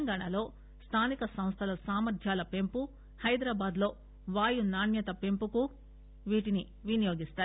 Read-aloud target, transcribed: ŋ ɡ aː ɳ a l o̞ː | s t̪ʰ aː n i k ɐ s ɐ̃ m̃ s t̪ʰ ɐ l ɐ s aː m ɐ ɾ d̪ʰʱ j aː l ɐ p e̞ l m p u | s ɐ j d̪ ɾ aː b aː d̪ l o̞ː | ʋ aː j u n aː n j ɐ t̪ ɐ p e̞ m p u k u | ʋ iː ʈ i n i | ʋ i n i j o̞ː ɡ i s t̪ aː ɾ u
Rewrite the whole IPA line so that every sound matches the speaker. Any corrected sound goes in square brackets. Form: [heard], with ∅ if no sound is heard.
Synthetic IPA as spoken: ŋ ɡ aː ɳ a l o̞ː | s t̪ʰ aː n i k ɐ s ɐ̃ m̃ s t̪ʰ ɐ l ɐ s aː m ɐ ɾ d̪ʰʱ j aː l ɐ p e̞ [∅] m p u | [h] ɐ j d̪ ɾ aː b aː d̪ l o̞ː | ʋ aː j u n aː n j ɐ t̪ ɐ p e̞ m p u k u | ʋ iː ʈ i n i | ʋ i n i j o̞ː ɡ i s t̪ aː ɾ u

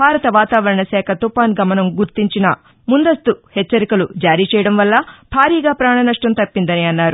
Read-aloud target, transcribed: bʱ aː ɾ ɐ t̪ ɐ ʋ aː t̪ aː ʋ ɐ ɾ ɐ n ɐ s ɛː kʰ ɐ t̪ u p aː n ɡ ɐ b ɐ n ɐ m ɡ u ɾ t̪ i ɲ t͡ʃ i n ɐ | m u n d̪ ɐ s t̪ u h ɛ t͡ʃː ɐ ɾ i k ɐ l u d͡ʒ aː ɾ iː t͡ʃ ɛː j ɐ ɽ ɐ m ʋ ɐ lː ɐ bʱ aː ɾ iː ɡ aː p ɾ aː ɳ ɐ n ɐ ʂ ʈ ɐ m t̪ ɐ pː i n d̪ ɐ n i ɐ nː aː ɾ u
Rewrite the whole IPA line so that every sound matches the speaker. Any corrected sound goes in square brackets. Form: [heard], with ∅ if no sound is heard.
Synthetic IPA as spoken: bʱ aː ɾ ɐ t̪ ɐ ʋ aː t̪ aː ʋ ɐ ɾ ɐ [ɳ] ɐ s ɛː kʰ ɐ t̪ u p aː n ɡ ɐ [m] ɐ n ɐ m ɡ u ɾ t̪ i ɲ t͡ʃ i n ɐ | m u n d̪ ɐ s t̪ u h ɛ t͡ʃː ɐ ɾ i k ɐ l u d͡ʒ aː ɾ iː t͡ʃ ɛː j ɐ ɽ ɐ m ʋ ɐ lː ɐ bʱ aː ɾ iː ɡ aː p ɾ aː ɳ ɐ n ɐ ʂ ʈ ɐ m t̪ ɐ pː i n d̪ ɐ n i ɐ nː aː ɾ u

